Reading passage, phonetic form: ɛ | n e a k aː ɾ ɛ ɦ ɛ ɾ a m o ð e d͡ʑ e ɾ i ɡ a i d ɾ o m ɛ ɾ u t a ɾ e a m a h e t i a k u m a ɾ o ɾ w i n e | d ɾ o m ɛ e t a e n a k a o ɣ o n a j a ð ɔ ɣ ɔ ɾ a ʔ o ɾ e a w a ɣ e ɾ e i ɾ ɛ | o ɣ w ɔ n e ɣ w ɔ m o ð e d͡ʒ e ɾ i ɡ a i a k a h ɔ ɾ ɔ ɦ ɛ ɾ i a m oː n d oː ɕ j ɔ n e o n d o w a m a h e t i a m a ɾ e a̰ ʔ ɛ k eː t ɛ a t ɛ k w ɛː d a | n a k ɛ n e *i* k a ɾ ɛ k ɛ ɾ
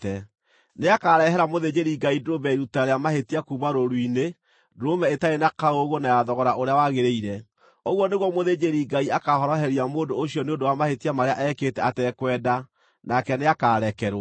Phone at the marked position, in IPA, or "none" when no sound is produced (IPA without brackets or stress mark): a